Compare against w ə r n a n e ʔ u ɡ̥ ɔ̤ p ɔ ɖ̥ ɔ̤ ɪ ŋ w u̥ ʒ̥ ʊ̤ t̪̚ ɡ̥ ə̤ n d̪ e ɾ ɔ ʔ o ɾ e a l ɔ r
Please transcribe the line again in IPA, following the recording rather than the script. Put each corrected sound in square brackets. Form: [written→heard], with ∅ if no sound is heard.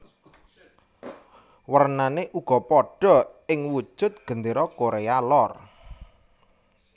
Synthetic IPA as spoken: w ə r n a n e ʔ u ɡ̥ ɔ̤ p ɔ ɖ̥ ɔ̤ ɪ ŋ w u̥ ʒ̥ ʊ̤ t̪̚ ɡ̥ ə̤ n d̪ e ɾ ɔ [ʔ→k] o ɾ e a l ɔ r